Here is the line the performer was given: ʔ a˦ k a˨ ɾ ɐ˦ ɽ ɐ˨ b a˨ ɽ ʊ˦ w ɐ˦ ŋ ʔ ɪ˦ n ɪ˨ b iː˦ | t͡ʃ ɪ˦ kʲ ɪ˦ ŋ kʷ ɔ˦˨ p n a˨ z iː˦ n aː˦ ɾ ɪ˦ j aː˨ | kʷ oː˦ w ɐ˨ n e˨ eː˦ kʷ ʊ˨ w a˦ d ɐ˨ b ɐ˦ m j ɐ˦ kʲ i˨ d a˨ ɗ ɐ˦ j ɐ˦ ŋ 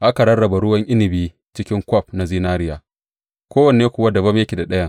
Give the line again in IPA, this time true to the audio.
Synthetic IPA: ʔ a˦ k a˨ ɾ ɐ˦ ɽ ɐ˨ b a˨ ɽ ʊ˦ w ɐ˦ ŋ ʔ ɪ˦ n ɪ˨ b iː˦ | t͡ʃ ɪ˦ kʲ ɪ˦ ŋ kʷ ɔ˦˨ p n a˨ z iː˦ n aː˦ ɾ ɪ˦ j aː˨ | kʷ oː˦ w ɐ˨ n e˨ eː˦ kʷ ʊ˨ w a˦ d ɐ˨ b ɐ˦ m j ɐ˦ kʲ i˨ d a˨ ɗ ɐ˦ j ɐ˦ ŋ